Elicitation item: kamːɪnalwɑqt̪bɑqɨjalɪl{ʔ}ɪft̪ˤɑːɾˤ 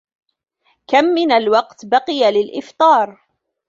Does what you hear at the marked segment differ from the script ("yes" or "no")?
no